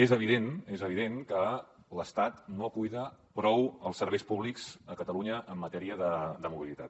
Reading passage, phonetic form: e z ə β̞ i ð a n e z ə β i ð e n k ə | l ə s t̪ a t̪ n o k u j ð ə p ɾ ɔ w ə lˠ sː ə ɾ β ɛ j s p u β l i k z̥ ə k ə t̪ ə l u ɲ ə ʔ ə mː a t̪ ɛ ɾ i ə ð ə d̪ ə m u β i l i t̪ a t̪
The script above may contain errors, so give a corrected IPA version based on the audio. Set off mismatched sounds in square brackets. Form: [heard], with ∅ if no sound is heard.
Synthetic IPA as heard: e z ə β̞ i ð [e] n e z ə β i ð e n k ə | l ə s t̪ a t̪ n o k u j ð ə p ɾ ɔ w ə lˠ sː ə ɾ β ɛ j s p u β l i k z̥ ə k ə t̪ ə l u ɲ ə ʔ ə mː [ə] t̪ ɛ ɾ i ə ð ə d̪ ə m u β i l i t̪ a t̪